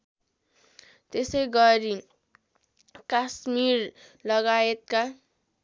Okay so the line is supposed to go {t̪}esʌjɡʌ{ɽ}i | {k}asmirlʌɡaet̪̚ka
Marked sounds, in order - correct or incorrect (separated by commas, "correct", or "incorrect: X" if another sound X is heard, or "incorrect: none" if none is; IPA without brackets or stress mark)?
correct, incorrect: ɾ, correct